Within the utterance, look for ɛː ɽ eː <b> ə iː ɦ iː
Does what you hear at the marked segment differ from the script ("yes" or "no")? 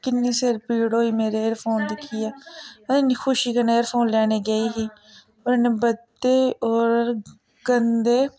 yes